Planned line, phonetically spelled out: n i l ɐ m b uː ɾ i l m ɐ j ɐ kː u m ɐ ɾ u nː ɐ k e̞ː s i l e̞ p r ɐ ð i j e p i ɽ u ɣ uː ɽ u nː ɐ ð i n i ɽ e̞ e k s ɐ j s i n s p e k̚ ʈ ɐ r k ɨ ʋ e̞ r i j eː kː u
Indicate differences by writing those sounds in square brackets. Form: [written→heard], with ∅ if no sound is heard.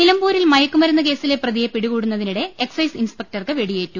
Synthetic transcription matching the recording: n i l ɐ m b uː ɾ i l m ɐ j ɐ kː u m ɐ ɾ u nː ɐ k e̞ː s i l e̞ p r ɐ ð i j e p i ɽ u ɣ uː ɽ u nː ɐ ð i n i ɽ e̞ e k s ɐ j s i n s p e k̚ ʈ ɐ r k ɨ ʋ e̞ [r→ɽ] i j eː [kː→tː] u